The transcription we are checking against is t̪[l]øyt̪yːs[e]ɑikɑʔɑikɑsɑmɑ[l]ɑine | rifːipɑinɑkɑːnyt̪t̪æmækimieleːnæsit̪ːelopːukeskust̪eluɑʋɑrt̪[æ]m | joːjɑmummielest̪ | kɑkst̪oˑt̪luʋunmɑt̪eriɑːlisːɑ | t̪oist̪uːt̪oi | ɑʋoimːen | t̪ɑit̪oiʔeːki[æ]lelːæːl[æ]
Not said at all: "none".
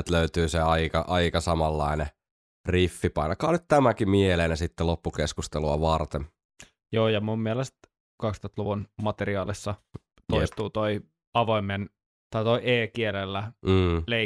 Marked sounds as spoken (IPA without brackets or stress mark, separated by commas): l, e, lː, e, e, e